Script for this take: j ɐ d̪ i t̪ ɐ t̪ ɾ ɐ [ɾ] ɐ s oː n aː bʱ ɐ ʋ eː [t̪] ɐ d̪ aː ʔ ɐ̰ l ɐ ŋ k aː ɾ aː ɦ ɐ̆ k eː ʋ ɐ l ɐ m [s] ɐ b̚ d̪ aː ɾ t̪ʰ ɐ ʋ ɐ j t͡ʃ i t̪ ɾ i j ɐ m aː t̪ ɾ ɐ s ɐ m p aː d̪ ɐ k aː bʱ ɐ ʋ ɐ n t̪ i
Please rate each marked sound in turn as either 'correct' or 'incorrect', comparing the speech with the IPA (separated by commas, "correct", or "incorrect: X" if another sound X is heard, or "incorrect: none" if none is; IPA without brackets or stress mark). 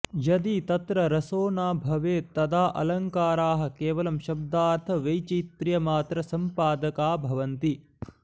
correct, correct, incorrect: ʃ